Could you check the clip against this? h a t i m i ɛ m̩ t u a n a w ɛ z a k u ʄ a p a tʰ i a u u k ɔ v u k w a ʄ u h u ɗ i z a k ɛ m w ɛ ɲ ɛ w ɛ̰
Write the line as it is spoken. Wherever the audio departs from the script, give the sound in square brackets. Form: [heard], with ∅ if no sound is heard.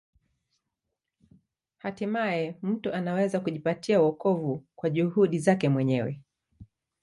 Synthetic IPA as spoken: h a t i m [a] ɛ m̩ t u a n a w ɛ z a k u ʄ [i] p a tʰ i a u [ɔ] k ɔ v u k w a ʄ u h u ɗ i z a k ɛ m w ɛ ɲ ɛ w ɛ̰

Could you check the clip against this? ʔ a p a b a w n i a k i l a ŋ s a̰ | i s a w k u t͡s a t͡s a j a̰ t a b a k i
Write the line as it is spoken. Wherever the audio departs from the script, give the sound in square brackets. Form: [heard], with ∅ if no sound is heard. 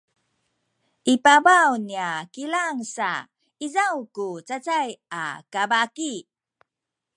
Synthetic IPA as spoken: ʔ [i] p a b a w n i a k i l a ŋ s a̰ | i [z] a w k u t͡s a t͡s a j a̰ [k] a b a k i

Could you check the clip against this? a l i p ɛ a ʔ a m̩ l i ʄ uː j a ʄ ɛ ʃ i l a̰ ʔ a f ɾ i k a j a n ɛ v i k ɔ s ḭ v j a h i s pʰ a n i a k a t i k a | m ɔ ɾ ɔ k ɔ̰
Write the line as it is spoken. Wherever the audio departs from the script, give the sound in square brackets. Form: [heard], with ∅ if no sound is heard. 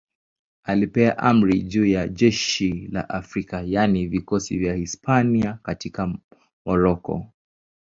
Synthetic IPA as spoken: a l i p ɛ a ʔ a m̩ [ɾ] i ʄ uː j a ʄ ɛ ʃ i l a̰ ʔ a f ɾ i k a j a n [i] v i k ɔ s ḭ v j a h i s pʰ a n i a k a t i k a | m ɔ ɾ ɔ k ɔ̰

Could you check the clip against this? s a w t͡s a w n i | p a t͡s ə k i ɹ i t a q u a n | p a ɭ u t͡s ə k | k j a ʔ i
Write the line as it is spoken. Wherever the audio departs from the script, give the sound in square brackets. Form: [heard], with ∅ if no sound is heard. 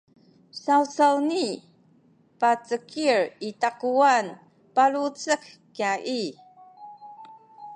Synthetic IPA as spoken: s a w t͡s a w n i | p a t͡s ə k i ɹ i t a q u a n | p a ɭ u t͡s ə k | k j a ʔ i

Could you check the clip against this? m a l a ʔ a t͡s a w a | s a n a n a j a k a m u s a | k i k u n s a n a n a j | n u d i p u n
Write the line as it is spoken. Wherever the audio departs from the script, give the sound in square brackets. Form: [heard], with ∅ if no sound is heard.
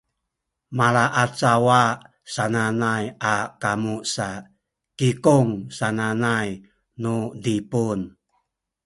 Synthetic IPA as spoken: m a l a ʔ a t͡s a w a | s a n a n a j a k a m u s a | k i k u [ŋ] s a n a n a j | n u d i p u n

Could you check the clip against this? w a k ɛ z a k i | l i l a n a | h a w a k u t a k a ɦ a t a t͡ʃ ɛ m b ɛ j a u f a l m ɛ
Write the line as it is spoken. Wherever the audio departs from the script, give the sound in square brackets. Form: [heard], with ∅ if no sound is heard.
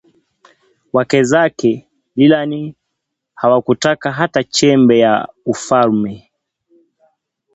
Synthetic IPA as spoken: w a k ɛ z a k [ɛ] | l i l a n [i] | h a w a k u t a k a ɦ a t a t͡ʃ ɛ m b ɛ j a u f a l m ɛ

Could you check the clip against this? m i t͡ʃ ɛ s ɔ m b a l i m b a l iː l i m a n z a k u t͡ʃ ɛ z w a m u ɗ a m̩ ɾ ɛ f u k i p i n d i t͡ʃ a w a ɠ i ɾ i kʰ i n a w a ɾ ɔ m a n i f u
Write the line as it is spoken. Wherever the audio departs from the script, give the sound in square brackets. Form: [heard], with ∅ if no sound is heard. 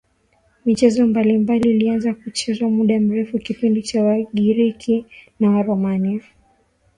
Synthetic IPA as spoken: m i t͡ʃ ɛ [z] ɔ m b a l i m b a l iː l i [∅] a n z a k u t͡ʃ ɛ z w a m u ɗ a m̩ ɾ ɛ f u k i p i n d i t͡ʃ a w a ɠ i ɾ i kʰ i n a w a ɾ ɔ m a n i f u

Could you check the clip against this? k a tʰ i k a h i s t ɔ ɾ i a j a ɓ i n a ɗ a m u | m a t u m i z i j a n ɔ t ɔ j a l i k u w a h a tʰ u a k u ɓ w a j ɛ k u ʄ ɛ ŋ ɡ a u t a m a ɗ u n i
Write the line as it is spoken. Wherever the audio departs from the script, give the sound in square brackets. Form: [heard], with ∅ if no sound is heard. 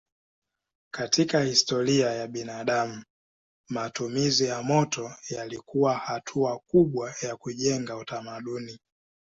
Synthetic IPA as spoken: k a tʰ i k a h i s t ɔ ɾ i a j a ɓ i n a ɗ a m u | m a t u m i z i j a [m] ɔ t ɔ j a l i k u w a h a tʰ u a k u ɓ w a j [a] k u ʄ ɛ ŋ ɡ a u t a m a ɗ u n i

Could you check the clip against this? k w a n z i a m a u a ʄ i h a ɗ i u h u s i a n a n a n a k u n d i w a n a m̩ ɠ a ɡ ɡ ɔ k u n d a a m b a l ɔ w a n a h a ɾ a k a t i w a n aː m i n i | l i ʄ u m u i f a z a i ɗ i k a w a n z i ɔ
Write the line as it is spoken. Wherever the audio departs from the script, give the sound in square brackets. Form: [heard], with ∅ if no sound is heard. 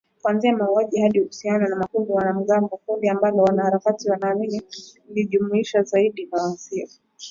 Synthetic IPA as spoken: k w a n z i a m a u a ʄ i h a ɗ i u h u s i a n a n a [m] a k u n d i w a n a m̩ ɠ a [ŋ] ɡ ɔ k u n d [i] a m b a l ɔ w a n a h a ɾ a k a t i w a n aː m i n i | l i ʄ u m u i [ʃ] a z a i ɗ i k a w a n z i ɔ

